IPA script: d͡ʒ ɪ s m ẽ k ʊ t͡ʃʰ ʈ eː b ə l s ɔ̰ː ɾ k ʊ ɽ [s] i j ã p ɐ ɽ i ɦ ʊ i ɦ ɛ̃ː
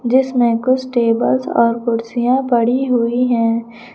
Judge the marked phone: correct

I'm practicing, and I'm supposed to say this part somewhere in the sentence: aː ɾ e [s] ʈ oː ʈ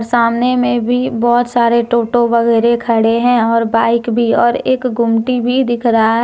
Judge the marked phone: incorrect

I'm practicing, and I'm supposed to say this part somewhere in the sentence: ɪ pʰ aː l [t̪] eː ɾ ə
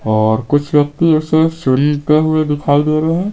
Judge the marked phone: incorrect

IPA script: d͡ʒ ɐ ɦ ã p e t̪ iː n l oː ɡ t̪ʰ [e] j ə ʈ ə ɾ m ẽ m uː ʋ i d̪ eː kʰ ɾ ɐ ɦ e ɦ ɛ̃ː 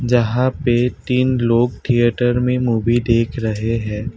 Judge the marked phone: incorrect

